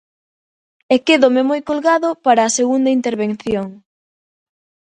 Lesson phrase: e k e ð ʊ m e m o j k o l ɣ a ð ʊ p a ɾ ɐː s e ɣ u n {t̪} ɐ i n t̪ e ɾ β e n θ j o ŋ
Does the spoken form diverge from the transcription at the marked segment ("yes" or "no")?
yes